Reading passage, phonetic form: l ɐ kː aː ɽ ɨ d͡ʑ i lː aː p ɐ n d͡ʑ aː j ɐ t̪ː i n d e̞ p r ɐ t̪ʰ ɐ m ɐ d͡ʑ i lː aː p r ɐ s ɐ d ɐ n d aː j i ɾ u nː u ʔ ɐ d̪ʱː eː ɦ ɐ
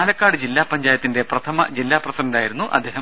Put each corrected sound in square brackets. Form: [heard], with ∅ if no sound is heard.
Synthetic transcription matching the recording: l ɐ kː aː ɽ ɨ d͡ʑ i lː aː p ɐ [ɲ] d͡ʑ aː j ɐ t̪ː i n d e̞ p r ɐ t̪ʰ ɐ m ɐ d͡ʑ i lː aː p r ɐ s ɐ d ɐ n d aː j i ɾ u nː u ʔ ɐ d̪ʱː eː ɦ ɐ